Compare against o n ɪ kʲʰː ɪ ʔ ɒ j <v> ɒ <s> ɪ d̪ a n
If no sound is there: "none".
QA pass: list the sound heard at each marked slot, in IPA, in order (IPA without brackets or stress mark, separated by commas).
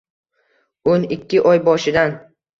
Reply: b, ʃ